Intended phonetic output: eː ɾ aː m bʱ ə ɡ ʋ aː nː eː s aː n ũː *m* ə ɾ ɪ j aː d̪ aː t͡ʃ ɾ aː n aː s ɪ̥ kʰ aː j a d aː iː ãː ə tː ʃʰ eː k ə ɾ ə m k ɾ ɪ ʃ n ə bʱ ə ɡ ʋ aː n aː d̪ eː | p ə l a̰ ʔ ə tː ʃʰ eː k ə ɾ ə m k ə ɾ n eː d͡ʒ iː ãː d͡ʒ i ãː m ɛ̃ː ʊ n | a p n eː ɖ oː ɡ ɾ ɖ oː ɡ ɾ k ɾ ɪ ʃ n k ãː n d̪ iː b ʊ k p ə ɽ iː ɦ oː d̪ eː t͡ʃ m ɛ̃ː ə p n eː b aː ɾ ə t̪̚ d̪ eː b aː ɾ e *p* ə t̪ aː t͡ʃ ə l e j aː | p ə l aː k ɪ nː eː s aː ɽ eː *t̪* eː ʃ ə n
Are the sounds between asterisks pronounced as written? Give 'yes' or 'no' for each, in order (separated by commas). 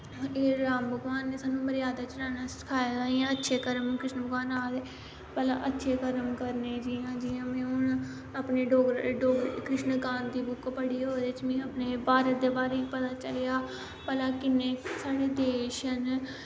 yes, yes, no